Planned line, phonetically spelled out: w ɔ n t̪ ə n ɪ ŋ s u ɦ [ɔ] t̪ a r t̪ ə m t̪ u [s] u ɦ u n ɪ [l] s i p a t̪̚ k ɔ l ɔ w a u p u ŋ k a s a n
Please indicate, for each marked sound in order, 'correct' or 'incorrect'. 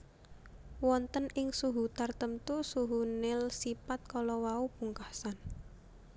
incorrect: u, correct, correct

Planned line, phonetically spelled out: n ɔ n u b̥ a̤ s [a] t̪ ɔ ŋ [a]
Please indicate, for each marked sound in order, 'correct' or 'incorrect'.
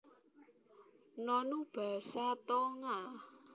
correct, correct

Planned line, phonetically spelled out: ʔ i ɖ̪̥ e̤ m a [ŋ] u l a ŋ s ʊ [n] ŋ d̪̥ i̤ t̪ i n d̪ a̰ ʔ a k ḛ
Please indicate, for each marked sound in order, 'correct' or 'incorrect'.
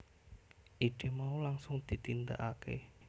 incorrect: none, incorrect: none

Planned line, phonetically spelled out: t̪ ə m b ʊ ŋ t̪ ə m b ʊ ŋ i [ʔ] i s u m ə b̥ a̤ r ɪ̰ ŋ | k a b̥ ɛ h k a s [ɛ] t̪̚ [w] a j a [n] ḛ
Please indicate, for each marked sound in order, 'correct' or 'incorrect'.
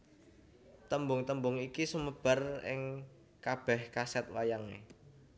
incorrect: k, correct, correct, incorrect: ŋ

